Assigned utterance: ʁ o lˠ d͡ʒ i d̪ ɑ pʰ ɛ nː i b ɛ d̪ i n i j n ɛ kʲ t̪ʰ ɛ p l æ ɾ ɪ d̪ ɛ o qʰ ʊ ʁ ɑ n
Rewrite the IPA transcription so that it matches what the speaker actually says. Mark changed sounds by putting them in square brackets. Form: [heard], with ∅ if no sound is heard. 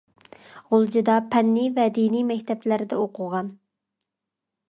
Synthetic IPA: ʁ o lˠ d͡ʒ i d̪ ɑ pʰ ɛ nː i [v] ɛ d̪ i n i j [m] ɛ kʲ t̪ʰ ɛ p l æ ɾ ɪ d̪ ɛ o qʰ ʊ ʁ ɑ n

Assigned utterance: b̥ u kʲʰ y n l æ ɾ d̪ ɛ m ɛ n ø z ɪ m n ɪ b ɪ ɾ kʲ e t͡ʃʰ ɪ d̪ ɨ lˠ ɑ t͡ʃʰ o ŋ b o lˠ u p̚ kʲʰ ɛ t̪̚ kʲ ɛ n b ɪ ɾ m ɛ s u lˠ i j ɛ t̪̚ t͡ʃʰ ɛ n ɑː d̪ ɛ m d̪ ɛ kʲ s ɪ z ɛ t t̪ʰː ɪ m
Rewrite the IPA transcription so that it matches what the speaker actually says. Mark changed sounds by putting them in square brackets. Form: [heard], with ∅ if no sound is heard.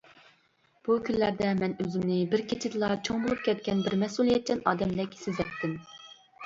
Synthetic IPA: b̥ u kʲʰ y n l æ ɾ d̪ ɛ m ɛ n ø z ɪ m n ɪ b ɪ ɾ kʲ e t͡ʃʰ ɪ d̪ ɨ lˠ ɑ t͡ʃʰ o ŋ b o lˠ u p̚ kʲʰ ɛ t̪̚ kʲ ɛ n b ɪ ɾ m ɛ s u lˠ i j ɛ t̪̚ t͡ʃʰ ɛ n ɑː d̪ ɛ m d̪ ɛ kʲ s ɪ z ɛ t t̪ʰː ɪ m

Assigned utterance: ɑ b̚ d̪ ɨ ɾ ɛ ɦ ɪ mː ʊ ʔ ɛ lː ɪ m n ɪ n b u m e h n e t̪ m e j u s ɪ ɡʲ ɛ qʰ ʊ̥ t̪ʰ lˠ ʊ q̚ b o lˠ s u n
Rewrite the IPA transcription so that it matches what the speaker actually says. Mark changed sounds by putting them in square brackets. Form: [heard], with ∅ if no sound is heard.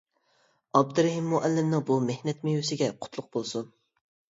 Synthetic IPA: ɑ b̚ d̪ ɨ ɾ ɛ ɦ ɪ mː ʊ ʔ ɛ lː ɪ m n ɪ [ŋ] b u m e h n [ɛ] t̪ m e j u s ɪ ɡʲ ɛ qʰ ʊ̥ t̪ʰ lˠ ʊ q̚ b o lˠ s u n

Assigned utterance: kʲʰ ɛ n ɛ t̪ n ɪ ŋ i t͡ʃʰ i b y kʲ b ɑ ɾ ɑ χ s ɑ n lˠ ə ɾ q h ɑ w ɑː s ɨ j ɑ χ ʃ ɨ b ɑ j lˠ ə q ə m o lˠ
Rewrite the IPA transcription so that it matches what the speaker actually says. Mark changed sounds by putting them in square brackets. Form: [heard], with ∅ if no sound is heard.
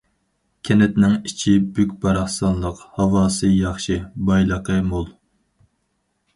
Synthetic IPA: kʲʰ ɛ n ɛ t̪ n ɪ ŋ i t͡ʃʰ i b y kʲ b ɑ ɾ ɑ χ s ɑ n lˠ ə [∅] q h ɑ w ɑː s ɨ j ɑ χ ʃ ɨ b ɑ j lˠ ə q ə m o lˠ

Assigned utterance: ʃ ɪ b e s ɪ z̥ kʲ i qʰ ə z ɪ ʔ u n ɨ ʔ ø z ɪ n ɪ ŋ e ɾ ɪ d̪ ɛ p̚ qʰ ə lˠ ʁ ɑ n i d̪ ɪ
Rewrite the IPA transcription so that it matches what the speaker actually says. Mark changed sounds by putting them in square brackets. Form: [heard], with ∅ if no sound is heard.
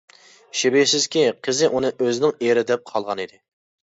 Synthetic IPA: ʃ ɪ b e s ɪ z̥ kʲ i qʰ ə z ɪ ʔ u n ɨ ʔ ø z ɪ n ɪ ŋ e ɾ ɪ d̪ ɛ p̚ qʰ [ɑ] lˠ ʁ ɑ n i d̪ ɪ

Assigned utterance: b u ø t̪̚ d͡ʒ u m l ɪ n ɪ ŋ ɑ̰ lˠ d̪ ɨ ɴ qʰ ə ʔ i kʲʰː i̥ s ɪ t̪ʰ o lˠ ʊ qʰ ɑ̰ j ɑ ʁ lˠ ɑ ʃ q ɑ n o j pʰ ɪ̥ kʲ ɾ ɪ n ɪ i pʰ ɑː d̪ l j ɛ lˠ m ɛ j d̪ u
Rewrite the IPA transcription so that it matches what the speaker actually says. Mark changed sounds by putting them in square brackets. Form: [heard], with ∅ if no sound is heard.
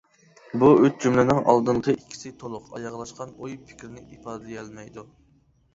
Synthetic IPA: b u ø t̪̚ d͡ʒ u m l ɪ n ɪ ŋ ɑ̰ lˠ d̪ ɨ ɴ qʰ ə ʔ i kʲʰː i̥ s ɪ t̪ʰ o lˠ ʊ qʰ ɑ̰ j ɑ ʁ lˠ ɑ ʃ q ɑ n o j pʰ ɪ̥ kʲ ɾ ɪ n ɪ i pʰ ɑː d̪ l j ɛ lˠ m ɛ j d̪ u

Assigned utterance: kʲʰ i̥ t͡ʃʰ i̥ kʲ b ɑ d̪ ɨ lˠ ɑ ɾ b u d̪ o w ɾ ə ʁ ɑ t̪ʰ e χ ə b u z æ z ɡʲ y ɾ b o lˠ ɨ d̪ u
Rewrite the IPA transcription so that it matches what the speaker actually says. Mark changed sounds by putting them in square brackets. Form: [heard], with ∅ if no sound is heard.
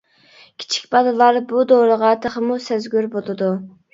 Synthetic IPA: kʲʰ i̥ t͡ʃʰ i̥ kʲ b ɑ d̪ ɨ lˠ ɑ ɾ b u d̪ o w ɾ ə ʁ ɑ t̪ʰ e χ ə [m] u [s] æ z ɡʲ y ɾ b o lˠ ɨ d̪ u

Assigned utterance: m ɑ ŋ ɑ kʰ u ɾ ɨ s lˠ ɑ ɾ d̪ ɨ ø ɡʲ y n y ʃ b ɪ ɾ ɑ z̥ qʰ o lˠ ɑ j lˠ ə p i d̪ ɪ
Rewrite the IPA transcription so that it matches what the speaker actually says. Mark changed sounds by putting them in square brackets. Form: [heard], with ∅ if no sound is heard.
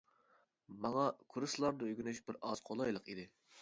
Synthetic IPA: m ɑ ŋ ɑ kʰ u ɾ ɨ s lˠ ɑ ɾ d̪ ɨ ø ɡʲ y n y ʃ b ɪ ɾ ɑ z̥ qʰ o lˠ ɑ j lˠ ə [q] i d̪ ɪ

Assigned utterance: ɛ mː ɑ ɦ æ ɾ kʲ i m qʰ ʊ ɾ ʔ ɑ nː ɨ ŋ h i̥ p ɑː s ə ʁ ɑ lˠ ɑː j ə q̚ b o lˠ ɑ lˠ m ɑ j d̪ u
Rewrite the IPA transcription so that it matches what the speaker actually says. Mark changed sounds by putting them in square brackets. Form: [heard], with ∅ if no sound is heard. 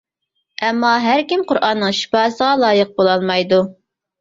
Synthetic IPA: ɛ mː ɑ ɦ æ ɾ kʲ i m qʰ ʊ ɾ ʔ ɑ nː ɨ ŋ [ʃ] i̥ p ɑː s ə ʁ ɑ lˠ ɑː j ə q̚ b o lˠ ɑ lˠ m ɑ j d̪ u

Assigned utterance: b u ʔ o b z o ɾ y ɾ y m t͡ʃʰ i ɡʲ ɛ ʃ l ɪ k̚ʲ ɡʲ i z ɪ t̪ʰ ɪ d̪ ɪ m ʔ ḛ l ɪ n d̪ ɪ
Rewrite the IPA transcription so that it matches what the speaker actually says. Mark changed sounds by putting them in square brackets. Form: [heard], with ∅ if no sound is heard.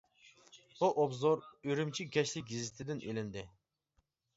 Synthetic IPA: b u ʔ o b z o ɾ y ɾ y m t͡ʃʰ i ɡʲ ɛ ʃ l ɪ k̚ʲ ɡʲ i z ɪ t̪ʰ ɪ d̪ ɪ [n] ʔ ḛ l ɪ n d̪ ɪ

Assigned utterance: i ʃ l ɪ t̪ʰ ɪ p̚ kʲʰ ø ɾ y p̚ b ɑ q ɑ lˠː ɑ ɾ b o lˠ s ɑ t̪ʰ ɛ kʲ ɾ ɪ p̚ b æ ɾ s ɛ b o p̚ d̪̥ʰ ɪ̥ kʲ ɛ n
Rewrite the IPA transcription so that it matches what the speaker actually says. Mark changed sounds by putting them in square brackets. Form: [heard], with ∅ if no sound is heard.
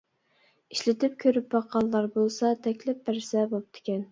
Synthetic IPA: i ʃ l ɪ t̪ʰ ɪ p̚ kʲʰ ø ɾ y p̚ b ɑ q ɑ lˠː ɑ ɾ b o lˠ s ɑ t̪ʰ ɛ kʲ [l] ɪ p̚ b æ ɾ s ɛ b o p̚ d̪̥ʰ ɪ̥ kʲ ɛ n

